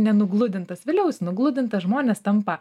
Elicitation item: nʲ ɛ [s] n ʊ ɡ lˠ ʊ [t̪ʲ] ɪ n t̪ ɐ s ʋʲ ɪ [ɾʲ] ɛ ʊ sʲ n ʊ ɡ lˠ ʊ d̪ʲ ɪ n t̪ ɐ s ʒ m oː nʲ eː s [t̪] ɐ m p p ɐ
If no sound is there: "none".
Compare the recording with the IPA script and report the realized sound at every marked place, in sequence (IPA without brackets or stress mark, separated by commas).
none, d̪ʲ, lʲ, t̪